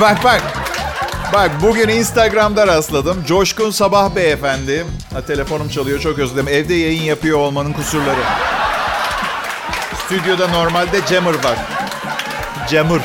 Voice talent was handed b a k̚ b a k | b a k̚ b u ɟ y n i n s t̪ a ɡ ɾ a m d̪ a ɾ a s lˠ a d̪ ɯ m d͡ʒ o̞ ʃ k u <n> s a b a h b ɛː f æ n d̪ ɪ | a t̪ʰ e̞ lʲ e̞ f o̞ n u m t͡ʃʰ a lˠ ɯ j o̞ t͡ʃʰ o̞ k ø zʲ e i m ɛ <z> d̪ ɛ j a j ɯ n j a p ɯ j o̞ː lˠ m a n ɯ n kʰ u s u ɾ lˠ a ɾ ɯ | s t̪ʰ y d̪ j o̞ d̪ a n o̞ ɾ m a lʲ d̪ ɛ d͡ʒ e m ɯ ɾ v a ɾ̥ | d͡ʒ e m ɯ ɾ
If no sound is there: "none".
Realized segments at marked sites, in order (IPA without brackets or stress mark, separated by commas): n, v